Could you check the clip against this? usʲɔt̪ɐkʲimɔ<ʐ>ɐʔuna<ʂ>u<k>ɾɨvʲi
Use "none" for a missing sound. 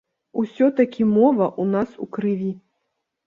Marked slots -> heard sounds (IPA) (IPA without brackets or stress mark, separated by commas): v, s, k